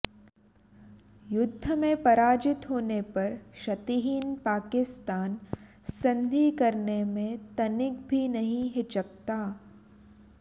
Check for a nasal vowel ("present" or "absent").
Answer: present